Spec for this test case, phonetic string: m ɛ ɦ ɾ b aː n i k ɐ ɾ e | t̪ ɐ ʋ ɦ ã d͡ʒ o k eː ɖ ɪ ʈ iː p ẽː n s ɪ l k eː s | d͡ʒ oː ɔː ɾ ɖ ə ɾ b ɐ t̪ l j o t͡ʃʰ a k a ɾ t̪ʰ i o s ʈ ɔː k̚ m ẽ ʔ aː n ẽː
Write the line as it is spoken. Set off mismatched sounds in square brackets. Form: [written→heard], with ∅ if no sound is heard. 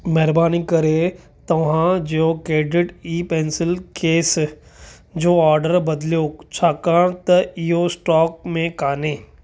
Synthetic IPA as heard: m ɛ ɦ ɾ b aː n i k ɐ ɾ e | t̪ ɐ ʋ ɦ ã d͡ʒ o k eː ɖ ɪ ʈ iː p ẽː n s ɪ l k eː s | d͡ʒ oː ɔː ɾ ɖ ə ɾ b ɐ [t̪→d̪] l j o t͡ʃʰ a k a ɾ [t̪ʰ→t̪] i o s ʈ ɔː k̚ m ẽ [ʔ→k] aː n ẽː